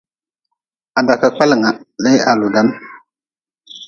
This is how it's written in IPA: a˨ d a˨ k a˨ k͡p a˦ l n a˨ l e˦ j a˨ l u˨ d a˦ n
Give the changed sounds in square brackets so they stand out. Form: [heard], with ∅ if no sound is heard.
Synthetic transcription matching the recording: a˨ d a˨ k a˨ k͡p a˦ l [ŋ] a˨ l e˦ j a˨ l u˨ d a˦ n